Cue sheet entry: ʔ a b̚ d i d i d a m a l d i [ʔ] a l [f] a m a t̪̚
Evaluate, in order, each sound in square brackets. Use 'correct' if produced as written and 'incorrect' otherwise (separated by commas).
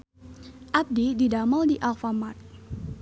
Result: correct, correct